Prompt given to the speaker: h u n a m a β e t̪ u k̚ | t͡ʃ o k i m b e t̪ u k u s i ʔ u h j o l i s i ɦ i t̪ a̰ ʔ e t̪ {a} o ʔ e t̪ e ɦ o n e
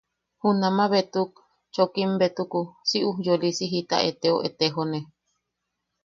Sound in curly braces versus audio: incorrect: e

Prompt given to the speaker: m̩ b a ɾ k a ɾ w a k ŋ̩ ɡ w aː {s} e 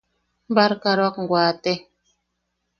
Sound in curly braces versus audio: incorrect: t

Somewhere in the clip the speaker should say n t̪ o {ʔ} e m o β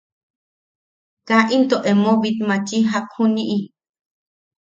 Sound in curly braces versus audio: correct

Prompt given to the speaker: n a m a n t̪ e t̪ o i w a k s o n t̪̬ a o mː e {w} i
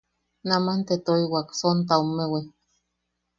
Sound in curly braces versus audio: correct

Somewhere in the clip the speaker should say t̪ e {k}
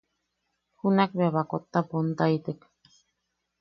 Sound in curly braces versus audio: correct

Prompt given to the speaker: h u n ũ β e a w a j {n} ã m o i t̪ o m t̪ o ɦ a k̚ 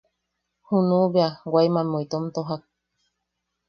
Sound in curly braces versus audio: incorrect: m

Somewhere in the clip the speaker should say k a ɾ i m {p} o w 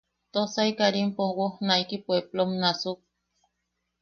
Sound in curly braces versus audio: correct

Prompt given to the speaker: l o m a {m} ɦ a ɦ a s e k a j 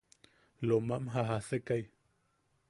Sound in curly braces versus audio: correct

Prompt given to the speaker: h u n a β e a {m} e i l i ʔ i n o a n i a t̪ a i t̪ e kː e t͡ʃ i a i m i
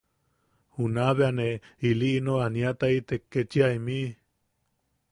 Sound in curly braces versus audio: incorrect: n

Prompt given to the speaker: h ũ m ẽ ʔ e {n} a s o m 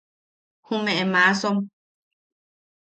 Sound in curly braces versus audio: incorrect: m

